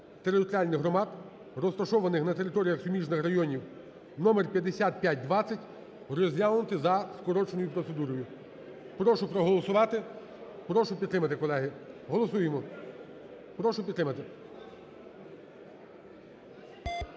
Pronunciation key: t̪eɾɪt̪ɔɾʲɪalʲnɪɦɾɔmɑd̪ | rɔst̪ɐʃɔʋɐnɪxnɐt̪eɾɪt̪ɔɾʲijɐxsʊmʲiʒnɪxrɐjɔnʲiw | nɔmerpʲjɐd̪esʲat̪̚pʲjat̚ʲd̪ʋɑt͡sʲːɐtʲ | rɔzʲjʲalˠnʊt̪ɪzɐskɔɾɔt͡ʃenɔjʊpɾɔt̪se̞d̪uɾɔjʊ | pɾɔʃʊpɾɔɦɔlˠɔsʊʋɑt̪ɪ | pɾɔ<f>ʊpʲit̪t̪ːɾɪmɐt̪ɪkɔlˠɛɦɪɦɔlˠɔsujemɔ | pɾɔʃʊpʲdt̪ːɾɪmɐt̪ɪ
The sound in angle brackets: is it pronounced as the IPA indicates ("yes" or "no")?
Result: no